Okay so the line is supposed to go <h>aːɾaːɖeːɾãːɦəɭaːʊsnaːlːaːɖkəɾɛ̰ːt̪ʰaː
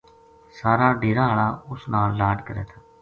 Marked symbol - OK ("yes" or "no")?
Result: no